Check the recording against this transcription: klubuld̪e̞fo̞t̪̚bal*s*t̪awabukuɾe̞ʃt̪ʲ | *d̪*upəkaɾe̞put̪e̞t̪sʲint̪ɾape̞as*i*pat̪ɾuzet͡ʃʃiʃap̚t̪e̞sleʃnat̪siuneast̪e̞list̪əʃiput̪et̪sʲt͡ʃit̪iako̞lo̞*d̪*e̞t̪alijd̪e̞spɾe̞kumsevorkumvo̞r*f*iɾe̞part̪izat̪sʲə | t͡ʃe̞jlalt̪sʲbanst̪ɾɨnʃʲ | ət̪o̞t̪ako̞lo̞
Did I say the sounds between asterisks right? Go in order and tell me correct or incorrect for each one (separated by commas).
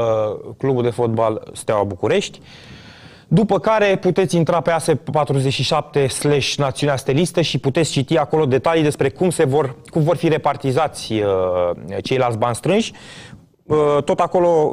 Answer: correct, correct, incorrect, correct, correct